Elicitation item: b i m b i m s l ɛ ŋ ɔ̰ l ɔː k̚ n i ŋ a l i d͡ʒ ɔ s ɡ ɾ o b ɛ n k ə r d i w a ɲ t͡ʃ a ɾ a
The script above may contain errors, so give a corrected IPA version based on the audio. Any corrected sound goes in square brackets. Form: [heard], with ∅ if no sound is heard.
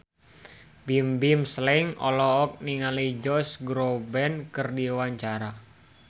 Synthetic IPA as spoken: b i m b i m s l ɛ ŋ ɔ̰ l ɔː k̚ n i ŋ a l i d͡ʒ ɔ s ɡ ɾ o b ɛ n k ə r d i w a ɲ t͡ʃ a ɾ a